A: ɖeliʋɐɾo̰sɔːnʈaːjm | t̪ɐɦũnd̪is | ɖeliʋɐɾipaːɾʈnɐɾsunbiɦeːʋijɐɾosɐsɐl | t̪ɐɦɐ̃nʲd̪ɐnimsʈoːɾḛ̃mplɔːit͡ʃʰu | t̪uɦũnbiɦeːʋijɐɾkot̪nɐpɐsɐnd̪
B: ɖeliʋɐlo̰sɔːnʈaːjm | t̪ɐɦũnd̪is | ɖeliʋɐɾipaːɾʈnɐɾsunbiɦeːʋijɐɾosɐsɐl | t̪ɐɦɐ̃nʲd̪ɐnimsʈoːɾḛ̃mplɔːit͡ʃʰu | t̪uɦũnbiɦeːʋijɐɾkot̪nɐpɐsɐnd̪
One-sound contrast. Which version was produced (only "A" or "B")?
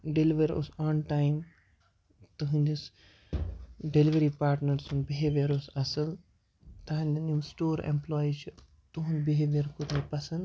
A